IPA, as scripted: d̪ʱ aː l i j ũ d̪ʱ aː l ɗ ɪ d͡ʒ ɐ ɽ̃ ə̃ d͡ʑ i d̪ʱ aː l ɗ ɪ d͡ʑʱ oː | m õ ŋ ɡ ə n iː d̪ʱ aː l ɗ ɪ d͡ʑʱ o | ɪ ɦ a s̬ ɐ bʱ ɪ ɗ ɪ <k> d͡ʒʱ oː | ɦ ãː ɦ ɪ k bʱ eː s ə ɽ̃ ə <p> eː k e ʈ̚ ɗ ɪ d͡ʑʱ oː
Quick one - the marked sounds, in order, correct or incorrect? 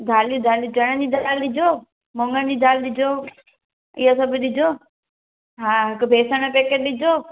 incorrect: none, correct

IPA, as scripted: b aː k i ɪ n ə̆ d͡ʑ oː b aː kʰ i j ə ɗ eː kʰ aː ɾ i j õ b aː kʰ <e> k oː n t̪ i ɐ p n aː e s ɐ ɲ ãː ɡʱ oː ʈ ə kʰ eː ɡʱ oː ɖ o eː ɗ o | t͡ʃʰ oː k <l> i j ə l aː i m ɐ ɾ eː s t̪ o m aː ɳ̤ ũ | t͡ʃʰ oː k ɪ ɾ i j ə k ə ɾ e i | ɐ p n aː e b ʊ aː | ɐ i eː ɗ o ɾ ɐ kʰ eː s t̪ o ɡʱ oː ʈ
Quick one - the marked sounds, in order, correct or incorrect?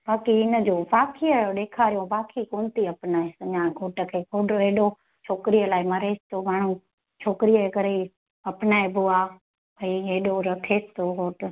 incorrect: i, incorrect: ɾ

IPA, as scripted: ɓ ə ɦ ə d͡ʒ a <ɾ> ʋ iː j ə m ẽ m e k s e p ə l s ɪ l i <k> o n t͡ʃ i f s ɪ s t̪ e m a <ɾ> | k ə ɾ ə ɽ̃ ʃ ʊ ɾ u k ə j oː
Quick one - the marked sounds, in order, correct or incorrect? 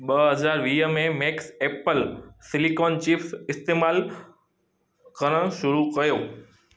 correct, correct, incorrect: l

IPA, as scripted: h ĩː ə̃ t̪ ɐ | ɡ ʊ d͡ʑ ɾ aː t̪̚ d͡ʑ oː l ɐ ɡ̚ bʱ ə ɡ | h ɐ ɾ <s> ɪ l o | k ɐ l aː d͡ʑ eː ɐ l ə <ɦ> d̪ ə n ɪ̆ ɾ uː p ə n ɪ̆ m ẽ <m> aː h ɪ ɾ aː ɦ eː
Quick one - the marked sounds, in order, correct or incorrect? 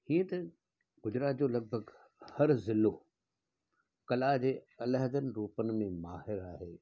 incorrect: z, correct, correct

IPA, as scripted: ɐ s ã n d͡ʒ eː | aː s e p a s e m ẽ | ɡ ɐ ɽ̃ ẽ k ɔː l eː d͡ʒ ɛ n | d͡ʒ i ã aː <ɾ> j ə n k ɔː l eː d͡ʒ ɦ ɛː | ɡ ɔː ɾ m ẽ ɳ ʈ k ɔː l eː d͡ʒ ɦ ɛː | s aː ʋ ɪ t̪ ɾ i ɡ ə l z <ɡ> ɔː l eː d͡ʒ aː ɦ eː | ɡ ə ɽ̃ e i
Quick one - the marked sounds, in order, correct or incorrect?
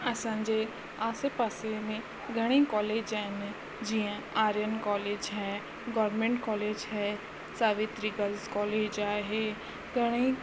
correct, incorrect: k

